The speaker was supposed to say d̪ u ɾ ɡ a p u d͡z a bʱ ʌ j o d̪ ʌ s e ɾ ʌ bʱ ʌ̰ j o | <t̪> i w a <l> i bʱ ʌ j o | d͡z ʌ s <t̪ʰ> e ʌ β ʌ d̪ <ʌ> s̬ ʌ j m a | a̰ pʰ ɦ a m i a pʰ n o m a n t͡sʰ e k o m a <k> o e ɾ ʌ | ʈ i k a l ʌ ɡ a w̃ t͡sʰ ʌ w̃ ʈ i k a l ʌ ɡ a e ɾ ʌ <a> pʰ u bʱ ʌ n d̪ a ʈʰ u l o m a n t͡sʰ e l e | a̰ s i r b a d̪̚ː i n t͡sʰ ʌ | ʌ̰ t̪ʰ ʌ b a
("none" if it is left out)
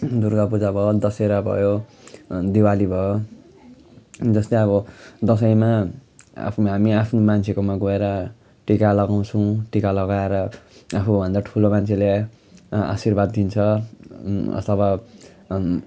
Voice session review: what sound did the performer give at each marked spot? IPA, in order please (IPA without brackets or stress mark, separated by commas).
d̪, l, t̪, ʌ, ɡ, a